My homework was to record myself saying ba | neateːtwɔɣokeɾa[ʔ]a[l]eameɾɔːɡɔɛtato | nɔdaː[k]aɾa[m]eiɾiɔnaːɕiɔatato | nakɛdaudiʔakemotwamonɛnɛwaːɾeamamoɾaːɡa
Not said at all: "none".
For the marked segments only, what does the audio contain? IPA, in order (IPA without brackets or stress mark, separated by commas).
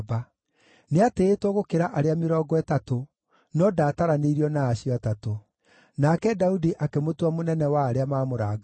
ʔ, ɾ, t, n